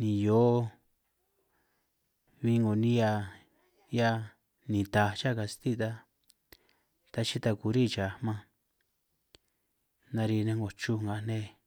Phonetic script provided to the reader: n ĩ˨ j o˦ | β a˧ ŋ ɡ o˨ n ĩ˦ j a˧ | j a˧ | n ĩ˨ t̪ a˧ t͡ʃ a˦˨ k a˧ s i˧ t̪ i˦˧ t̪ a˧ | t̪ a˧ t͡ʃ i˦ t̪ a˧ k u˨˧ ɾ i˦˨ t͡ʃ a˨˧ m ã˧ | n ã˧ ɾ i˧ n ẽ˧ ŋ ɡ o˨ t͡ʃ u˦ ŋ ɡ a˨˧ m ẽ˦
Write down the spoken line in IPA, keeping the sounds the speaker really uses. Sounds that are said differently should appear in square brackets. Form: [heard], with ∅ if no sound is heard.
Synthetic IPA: n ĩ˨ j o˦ | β [i˧] ŋ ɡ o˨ n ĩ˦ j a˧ | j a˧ | n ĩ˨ t̪ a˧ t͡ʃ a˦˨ k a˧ s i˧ t̪ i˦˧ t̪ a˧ | t̪ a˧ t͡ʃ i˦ t̪ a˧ k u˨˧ ɾ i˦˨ t͡ʃ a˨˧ m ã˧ | n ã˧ ɾ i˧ n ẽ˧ ŋ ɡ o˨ t͡ʃ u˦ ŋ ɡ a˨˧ [n] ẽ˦

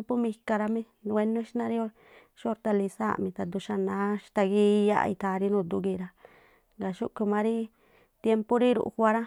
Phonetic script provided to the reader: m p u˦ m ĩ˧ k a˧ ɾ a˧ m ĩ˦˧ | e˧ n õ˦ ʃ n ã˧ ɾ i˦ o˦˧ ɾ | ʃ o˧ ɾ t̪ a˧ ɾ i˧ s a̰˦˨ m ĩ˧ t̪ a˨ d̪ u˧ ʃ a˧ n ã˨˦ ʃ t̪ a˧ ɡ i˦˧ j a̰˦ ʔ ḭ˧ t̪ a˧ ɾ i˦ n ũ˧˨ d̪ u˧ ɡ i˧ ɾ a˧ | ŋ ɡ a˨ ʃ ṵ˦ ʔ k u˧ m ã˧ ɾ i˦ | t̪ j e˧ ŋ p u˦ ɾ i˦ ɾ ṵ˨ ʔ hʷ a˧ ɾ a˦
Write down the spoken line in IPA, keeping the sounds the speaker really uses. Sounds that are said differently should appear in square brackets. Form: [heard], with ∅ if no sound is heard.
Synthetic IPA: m p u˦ m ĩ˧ k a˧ ɾ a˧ m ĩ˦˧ | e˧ n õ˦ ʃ n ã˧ ɾ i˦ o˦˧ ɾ | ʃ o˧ ɾ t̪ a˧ [l] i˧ s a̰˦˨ m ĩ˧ t̪ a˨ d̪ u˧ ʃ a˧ n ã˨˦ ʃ t̪ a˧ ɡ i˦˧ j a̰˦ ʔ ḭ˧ t̪ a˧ ɾ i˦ n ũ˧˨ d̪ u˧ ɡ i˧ ɾ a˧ | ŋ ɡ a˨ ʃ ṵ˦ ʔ k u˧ m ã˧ ɾ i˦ | t̪ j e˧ [m] p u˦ ɾ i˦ ɾ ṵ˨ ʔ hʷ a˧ ɾ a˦

